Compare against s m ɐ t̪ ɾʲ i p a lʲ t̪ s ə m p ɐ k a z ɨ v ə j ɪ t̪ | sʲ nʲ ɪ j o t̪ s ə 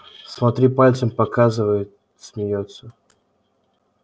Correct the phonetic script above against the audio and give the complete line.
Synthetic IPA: s m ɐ t̪ ɾʲ i p a lʲ t̪ s ə m p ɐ k a z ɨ v ə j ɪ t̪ | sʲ mʲ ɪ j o t̪ s ə